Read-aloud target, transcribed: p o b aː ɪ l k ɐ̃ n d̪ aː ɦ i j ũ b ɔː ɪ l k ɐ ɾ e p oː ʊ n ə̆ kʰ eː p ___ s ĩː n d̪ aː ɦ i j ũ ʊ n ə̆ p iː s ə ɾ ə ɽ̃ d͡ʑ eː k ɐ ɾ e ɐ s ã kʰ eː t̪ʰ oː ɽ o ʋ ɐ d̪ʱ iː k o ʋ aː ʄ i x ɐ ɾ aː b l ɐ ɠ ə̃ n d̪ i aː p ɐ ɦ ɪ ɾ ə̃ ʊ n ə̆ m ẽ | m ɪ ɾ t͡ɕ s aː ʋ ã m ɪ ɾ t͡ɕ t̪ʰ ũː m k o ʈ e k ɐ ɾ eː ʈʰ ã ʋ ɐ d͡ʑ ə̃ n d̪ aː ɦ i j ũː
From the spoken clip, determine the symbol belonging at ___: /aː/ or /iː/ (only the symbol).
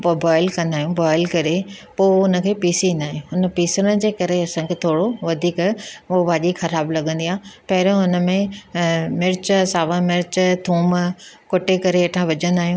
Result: iː